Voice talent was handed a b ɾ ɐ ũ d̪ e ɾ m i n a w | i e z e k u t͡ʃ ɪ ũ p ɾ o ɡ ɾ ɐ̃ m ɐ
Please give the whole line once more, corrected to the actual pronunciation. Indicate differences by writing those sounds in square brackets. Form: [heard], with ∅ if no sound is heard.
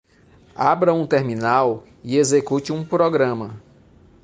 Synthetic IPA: a b ɾ ɐ ũ [t̪] e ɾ m i n a w | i e z e k u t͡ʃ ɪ ũ p ɾ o ɡ ɾ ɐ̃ m ɐ